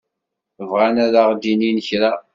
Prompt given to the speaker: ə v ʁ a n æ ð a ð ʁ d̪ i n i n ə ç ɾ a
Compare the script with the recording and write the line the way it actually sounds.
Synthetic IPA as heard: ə v ʁ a n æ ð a ʁ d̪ i n i n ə ç ɾ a